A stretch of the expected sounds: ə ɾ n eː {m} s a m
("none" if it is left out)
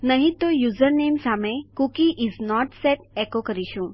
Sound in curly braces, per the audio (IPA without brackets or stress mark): m